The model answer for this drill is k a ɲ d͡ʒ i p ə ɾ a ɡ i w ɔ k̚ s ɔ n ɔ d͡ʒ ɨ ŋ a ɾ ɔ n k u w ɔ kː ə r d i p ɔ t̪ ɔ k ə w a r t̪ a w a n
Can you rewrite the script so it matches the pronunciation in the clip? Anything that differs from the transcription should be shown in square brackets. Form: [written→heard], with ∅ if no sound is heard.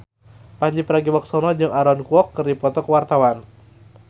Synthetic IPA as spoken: [k→p] a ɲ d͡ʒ i p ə ɾ a ɡ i w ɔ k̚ s ɔ n ɔ d͡ʒ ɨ ŋ a ɾ ɔ n k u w ɔ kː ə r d i p ɔ t̪ ɔ k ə w a r t̪ a w a n